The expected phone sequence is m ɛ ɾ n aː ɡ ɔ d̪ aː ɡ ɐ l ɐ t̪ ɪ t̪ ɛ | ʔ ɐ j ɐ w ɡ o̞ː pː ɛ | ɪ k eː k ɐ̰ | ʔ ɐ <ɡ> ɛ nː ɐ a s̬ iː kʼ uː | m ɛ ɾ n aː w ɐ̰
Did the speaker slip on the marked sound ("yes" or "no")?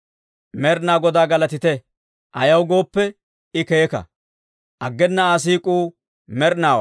yes